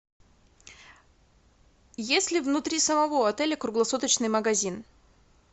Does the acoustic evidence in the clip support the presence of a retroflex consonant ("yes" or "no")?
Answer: no